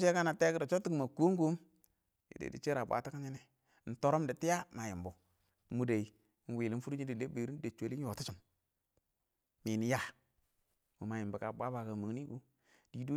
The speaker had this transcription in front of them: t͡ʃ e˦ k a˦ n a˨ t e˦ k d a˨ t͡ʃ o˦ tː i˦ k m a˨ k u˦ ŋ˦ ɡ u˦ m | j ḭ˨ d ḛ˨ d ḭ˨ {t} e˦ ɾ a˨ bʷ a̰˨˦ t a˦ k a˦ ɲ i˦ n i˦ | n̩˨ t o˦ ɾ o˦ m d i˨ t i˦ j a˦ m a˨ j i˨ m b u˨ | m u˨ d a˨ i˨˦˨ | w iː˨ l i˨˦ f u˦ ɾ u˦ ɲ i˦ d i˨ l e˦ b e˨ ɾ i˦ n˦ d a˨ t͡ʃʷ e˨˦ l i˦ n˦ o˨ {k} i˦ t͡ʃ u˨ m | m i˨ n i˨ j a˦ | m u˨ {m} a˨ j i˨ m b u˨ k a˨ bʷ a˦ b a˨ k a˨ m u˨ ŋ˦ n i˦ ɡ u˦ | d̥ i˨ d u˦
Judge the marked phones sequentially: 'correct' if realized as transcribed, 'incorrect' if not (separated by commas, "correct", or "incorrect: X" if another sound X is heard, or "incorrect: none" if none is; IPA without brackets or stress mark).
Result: incorrect: t͡ʃ, incorrect: t, correct